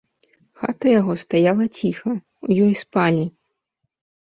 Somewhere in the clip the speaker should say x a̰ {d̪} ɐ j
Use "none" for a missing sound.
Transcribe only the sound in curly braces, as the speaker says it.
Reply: t̪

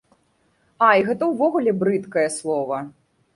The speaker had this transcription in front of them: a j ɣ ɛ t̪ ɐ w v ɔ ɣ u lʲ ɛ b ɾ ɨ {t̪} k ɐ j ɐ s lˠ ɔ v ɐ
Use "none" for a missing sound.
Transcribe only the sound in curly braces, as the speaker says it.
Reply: t̪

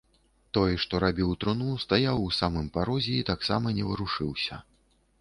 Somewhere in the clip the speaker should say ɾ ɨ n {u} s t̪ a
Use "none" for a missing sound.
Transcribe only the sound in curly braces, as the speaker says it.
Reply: u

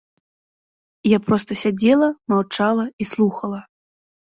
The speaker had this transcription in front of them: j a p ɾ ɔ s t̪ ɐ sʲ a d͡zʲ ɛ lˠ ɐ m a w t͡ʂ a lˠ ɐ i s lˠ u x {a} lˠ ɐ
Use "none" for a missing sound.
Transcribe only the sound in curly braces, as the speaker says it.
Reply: ɐ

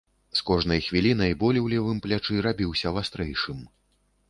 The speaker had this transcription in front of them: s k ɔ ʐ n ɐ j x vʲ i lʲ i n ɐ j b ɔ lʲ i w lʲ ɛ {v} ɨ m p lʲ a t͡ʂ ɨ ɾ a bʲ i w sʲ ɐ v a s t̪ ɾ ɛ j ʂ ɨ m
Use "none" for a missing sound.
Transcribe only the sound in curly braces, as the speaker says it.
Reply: v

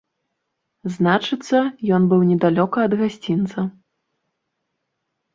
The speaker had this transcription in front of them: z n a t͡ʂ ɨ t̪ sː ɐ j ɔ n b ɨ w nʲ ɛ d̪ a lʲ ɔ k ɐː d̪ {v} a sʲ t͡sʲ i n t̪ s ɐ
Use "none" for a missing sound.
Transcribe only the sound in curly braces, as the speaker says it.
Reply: ɣ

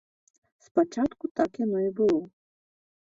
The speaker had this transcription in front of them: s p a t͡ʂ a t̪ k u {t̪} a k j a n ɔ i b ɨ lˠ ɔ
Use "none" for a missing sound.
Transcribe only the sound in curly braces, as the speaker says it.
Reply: t̪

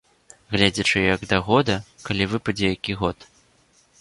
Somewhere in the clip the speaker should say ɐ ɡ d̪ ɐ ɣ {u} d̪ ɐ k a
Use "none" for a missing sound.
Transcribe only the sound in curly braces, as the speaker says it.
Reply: ɔ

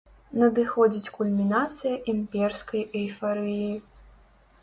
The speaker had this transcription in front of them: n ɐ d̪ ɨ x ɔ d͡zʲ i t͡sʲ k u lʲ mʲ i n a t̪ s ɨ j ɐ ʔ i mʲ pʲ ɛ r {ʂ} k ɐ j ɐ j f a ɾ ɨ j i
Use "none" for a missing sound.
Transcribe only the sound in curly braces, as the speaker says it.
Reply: s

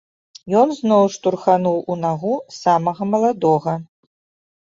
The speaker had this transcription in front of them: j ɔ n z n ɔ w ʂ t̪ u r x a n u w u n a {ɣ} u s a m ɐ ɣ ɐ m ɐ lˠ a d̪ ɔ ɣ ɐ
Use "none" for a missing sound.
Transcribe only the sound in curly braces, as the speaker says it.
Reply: ɣ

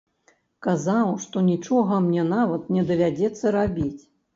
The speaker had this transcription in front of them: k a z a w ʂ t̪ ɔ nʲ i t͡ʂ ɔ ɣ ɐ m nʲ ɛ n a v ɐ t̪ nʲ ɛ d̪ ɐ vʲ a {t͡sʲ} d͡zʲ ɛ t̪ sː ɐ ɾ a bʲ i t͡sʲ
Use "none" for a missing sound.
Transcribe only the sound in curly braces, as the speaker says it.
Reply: none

